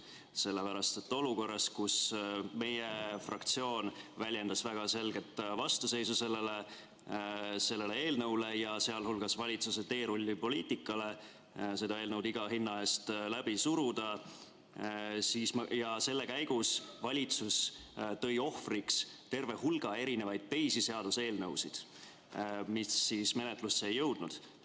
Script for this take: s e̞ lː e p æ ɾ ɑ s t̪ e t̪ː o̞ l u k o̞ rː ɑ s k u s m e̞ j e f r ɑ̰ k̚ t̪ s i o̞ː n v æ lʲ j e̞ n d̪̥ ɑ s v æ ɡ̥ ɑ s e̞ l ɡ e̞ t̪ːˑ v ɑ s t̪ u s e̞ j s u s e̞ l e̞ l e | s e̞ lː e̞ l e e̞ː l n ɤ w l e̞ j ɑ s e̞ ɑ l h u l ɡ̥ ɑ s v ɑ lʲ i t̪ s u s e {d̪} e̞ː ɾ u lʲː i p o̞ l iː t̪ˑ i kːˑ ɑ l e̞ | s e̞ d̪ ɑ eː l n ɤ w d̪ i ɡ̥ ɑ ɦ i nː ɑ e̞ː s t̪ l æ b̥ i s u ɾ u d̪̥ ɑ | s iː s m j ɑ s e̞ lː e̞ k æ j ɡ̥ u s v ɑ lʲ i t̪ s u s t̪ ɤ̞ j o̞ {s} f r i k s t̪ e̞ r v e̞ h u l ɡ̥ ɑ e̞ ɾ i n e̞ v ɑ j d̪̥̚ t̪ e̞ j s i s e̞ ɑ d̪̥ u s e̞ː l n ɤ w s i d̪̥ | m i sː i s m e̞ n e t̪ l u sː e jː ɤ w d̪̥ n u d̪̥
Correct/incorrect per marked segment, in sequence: incorrect: t̪, incorrect: h

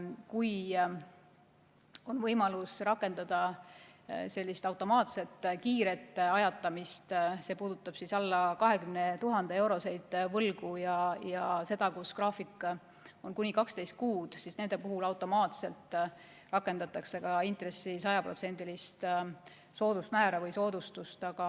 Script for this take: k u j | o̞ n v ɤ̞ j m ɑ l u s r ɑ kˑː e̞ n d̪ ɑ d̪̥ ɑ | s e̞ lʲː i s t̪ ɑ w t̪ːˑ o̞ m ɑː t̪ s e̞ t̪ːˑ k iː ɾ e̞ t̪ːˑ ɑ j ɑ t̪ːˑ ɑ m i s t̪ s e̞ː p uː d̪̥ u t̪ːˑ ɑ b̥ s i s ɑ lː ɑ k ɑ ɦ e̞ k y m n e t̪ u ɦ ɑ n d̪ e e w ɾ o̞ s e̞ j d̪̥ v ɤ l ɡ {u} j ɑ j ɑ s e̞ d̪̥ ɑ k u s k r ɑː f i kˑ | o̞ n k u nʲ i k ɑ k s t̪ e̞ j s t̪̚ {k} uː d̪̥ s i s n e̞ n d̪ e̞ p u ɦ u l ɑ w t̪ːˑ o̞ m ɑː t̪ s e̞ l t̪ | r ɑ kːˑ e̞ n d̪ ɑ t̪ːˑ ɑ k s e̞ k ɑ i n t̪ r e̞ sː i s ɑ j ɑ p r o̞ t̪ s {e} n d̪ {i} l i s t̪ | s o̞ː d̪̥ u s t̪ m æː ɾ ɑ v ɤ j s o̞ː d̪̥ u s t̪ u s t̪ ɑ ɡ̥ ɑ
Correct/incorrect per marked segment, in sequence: correct, correct, correct, correct

